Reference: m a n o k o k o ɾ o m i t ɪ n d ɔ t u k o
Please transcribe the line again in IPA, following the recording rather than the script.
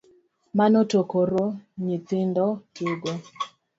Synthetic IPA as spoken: m a n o t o k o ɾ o ɲ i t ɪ n d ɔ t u ɡ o